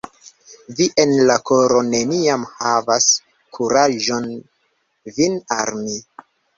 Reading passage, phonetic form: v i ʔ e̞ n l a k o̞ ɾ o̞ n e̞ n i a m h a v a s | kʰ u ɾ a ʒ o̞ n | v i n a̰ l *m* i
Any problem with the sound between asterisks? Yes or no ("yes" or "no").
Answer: no